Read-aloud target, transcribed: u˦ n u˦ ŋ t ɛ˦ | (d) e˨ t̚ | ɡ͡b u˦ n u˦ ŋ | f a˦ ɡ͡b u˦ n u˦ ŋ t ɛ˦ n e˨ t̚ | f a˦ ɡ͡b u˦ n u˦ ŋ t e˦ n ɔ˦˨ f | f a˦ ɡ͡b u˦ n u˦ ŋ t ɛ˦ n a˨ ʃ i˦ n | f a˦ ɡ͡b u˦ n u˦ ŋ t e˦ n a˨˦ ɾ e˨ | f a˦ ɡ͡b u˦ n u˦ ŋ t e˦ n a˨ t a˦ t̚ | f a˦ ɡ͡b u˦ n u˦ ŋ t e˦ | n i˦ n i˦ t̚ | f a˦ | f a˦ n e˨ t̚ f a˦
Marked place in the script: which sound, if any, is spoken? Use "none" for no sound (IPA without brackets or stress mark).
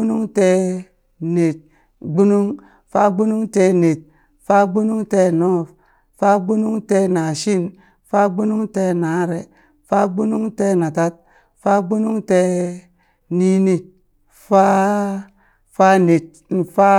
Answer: n